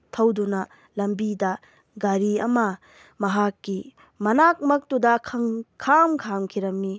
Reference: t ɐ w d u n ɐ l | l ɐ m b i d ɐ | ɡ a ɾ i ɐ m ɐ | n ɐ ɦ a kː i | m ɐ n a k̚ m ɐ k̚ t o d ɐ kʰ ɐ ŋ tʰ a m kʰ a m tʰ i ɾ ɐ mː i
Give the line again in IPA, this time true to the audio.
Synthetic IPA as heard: tʰ ɐ w d u n ɐ | l ɐ m b i d ɐ | ɡ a ɾ i ɐ m ɐ | m ɐ ɦ a kː i | m ɐ n a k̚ m ɐ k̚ t u d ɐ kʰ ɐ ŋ kʰ a m kʰ a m kʰ i ɾ ɐ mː i